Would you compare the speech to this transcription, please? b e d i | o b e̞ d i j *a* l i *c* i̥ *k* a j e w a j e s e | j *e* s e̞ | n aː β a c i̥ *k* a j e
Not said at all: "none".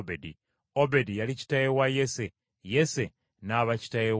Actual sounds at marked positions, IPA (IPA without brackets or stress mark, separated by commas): a, c, t, e, t